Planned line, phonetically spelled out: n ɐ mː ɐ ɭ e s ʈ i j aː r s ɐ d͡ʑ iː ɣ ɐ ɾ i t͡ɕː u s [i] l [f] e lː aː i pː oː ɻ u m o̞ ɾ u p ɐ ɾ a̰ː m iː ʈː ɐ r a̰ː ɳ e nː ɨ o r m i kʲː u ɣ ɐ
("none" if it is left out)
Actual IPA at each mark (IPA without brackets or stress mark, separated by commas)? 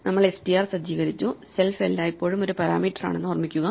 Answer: e, f